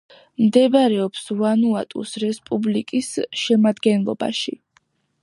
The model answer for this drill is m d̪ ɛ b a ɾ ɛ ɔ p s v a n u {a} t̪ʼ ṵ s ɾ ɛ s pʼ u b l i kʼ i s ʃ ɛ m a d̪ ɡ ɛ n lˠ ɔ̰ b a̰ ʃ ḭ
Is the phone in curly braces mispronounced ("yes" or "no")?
no